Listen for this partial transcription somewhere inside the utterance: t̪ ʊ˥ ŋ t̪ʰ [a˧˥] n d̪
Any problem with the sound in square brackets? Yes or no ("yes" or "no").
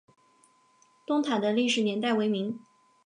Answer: yes